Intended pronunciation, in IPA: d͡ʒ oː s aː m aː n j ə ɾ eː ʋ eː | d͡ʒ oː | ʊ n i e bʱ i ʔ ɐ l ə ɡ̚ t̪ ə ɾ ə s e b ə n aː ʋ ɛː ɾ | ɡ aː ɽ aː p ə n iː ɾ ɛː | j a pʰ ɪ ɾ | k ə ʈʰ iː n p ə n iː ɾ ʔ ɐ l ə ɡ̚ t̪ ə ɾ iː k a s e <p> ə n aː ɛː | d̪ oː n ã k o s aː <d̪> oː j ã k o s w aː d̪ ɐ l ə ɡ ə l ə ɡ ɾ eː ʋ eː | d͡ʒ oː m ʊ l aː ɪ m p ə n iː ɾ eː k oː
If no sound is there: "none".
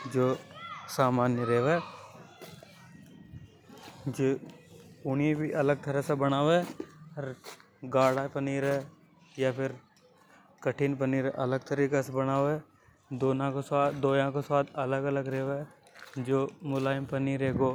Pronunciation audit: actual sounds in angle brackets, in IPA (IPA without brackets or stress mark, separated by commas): b, d̪